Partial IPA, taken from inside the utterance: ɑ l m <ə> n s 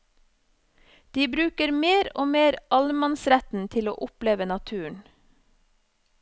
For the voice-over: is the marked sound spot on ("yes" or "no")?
no